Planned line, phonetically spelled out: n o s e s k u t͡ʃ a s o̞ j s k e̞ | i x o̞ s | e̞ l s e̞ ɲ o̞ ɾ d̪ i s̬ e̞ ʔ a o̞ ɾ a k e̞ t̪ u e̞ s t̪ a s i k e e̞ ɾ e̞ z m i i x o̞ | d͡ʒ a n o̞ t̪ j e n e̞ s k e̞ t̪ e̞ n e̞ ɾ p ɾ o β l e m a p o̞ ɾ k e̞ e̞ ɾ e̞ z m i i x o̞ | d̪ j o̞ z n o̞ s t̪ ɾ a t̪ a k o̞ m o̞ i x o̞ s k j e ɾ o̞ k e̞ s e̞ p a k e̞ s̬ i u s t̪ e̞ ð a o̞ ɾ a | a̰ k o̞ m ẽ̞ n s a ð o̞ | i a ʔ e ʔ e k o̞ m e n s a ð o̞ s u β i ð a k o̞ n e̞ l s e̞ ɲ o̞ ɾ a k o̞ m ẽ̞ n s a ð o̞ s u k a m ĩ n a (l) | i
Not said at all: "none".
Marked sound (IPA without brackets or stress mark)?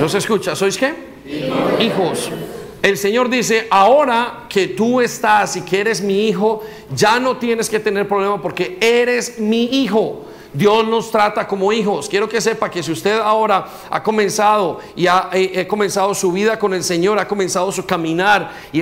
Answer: ɾ